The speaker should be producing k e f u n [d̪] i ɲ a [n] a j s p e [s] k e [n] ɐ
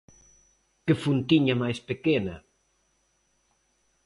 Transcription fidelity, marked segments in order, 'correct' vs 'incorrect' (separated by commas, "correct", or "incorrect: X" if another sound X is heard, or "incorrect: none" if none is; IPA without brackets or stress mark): incorrect: t̪, incorrect: m, incorrect: none, correct